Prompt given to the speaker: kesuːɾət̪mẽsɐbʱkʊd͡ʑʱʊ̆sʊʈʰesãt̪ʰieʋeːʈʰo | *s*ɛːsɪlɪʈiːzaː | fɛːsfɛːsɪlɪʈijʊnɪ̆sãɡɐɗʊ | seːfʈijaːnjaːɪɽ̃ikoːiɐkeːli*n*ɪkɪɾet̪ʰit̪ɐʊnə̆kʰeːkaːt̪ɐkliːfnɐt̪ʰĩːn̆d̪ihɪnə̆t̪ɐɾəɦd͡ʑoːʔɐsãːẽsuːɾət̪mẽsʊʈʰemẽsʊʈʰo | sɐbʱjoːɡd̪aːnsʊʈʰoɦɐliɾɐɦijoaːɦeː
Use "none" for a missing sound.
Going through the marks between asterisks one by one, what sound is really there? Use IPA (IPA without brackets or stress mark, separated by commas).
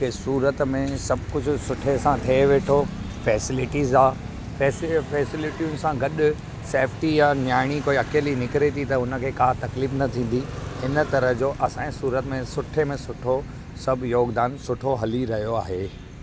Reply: f, n